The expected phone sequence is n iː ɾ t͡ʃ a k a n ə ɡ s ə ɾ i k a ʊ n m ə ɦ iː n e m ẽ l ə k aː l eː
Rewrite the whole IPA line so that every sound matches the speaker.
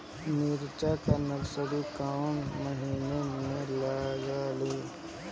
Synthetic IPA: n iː ɾ t͡ʃ a k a n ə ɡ s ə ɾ i k a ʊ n m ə ɦ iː n e m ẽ l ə ɡ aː l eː